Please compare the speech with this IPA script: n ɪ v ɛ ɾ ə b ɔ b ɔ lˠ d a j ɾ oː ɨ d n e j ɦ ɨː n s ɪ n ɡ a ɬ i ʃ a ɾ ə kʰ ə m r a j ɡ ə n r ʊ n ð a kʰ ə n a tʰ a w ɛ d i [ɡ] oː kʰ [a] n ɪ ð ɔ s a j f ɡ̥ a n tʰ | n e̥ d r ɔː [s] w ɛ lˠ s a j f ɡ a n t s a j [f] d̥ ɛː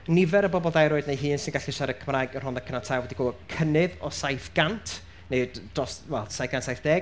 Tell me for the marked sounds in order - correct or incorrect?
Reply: correct, incorrect, correct, correct

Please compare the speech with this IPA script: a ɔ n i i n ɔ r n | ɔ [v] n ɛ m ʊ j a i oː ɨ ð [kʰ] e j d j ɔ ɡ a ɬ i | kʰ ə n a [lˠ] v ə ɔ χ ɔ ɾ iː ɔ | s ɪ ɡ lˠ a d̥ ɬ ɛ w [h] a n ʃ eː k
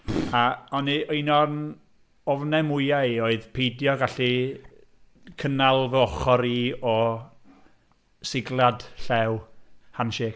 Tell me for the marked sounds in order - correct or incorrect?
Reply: correct, incorrect, correct, correct

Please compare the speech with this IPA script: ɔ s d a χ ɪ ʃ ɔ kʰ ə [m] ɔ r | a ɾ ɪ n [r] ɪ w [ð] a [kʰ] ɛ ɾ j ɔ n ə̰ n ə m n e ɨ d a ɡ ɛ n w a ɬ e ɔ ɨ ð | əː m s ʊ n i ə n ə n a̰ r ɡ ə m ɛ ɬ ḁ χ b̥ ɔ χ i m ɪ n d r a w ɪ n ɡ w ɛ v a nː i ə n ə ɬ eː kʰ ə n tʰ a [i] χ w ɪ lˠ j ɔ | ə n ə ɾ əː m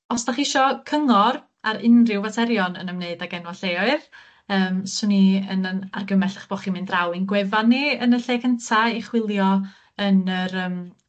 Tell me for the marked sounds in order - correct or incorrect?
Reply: incorrect, correct, incorrect, incorrect, correct

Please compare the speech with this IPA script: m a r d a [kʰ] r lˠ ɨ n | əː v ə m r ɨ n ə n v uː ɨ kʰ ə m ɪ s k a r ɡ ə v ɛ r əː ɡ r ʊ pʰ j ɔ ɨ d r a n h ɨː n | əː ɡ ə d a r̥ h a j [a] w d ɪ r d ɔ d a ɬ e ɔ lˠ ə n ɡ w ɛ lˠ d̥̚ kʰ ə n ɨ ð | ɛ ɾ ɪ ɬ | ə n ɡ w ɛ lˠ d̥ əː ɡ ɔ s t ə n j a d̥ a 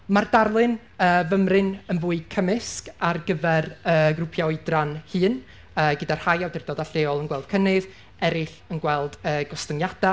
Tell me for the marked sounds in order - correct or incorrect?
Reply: incorrect, correct

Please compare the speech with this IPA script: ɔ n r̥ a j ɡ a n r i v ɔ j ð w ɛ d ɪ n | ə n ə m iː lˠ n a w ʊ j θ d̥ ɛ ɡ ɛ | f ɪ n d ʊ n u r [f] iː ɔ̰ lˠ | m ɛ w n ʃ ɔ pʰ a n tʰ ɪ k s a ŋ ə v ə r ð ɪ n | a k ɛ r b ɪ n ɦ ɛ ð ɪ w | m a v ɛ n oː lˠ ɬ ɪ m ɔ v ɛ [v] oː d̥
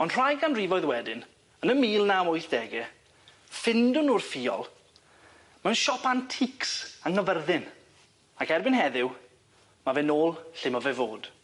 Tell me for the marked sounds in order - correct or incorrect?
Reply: correct, correct

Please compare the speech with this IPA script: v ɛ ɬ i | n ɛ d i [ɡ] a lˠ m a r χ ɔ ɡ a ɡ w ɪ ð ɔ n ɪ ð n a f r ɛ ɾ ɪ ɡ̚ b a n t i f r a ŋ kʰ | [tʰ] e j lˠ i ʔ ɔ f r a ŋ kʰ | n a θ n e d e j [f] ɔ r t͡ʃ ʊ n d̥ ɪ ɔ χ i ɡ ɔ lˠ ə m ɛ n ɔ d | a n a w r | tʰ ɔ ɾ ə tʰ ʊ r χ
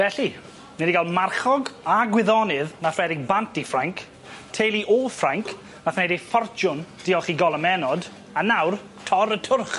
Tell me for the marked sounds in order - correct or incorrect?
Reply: correct, correct, correct

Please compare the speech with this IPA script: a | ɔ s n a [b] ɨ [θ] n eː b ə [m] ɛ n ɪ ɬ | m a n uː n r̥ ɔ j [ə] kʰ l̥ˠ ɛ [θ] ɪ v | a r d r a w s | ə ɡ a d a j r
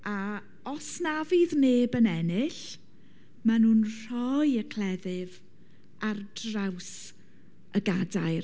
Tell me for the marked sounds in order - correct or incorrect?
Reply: incorrect, incorrect, incorrect, correct, incorrect

